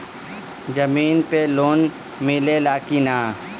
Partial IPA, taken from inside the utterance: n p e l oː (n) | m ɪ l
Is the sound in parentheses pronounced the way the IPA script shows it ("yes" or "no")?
yes